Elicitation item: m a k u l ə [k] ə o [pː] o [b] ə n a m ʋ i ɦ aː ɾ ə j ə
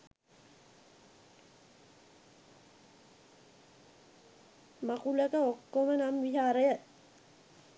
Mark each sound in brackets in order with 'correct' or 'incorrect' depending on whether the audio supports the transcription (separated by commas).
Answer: correct, incorrect, incorrect